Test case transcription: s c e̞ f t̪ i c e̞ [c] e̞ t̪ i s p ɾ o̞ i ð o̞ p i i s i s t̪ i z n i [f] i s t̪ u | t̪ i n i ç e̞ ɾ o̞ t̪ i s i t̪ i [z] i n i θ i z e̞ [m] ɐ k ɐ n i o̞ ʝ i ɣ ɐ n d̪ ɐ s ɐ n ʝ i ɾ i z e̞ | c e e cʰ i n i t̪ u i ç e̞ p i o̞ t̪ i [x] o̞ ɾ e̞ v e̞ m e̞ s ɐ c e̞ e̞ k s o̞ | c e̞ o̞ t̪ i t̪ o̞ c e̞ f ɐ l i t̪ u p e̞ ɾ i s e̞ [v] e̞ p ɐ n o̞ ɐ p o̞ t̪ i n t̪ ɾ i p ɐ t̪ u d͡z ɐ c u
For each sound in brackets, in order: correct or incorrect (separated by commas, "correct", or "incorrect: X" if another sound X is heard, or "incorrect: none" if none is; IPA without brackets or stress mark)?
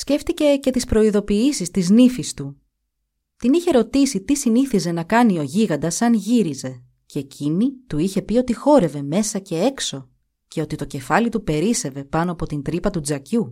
correct, correct, incorrect: s, incorrect: n, correct, correct